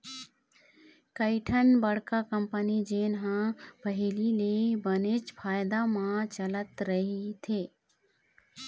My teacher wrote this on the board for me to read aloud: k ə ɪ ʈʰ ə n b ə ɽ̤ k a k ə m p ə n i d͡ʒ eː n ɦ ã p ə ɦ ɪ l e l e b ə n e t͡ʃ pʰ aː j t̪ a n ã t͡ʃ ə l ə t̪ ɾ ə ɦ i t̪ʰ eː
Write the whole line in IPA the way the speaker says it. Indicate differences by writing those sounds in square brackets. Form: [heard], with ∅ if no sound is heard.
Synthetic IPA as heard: k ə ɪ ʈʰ ə n b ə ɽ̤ k a k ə m p ə n i d͡ʒ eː n ɦ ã p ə ɦ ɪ l [i] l e b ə n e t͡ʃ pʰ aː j [d̪] a [m] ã t͡ʃ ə l ə t̪ ɾ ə ɦ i t̪ʰ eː